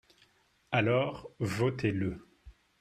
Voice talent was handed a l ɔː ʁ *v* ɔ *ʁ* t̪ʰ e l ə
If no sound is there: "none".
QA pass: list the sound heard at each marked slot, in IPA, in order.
v, none

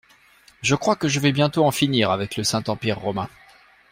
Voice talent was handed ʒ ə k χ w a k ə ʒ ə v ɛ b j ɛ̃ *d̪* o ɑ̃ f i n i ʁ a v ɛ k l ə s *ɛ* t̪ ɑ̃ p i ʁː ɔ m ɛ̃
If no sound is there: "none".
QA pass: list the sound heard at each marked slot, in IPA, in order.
t̪, ɛ̃

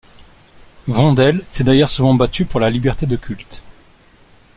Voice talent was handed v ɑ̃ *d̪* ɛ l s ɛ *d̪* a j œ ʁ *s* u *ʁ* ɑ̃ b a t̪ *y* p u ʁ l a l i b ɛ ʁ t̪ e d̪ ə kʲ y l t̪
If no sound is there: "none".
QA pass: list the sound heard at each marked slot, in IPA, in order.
d̪, d̪, s, v, y

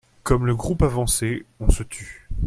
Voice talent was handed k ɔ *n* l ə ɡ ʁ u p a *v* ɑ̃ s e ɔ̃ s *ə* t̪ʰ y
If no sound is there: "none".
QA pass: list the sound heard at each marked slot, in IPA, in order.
m, v, ə

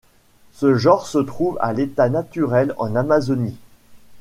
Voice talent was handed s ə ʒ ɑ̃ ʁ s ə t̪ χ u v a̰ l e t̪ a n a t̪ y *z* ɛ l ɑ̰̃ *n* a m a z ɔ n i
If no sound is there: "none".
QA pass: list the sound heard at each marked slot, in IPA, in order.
ʁ, n

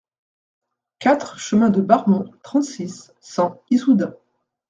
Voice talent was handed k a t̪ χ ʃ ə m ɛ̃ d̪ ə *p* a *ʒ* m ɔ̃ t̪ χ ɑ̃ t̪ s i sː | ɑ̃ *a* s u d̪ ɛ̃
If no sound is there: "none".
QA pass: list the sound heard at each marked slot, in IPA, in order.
b, ʁ, i

